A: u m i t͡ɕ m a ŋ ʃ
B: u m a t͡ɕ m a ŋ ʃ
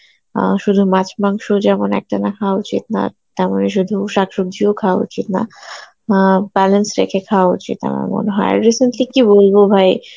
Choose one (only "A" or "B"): B